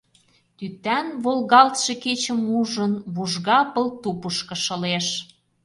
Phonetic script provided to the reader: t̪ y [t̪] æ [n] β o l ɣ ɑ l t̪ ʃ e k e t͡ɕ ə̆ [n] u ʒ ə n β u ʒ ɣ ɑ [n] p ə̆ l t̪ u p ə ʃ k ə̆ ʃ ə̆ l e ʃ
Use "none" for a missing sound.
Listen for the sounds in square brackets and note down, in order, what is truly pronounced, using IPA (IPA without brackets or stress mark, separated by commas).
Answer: t̪, n, m, none